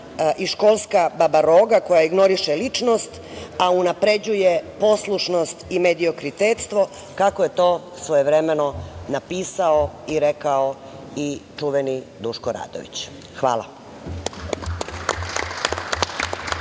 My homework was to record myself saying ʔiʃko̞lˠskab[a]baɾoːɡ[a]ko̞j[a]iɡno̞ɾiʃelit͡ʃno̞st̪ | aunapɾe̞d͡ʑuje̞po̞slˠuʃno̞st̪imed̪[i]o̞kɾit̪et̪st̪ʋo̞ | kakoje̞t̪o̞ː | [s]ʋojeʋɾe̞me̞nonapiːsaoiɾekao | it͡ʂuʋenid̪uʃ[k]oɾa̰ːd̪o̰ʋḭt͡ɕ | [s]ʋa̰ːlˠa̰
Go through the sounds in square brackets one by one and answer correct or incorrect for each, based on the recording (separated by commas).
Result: correct, correct, correct, correct, correct, correct, incorrect